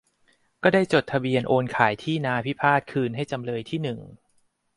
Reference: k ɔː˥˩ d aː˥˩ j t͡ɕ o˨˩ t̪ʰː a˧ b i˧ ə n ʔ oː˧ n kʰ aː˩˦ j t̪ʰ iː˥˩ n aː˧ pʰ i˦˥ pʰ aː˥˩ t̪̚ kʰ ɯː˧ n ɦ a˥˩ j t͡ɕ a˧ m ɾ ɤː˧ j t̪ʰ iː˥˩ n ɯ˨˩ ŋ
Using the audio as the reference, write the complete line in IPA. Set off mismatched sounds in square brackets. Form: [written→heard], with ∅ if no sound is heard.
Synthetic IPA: k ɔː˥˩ d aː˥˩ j t͡ɕ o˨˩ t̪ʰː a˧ b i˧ ə n ʔ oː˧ n kʰ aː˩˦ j t̪ʰ iː˥˩ n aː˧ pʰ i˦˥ pʰ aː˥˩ t̪̚ kʰ ɯː˧ n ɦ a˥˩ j t͡ɕ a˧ m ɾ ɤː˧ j t̪ʰ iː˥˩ n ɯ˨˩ ŋ